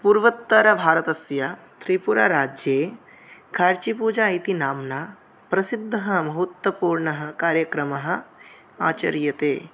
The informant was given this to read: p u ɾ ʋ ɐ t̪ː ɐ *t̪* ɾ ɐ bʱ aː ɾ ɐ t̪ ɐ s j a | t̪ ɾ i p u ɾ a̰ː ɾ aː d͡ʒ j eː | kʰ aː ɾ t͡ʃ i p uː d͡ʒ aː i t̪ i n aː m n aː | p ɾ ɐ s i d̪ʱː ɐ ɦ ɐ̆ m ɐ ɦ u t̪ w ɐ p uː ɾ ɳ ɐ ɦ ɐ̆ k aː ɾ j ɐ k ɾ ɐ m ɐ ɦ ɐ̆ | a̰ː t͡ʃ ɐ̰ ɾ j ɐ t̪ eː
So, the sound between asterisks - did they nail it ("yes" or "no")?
no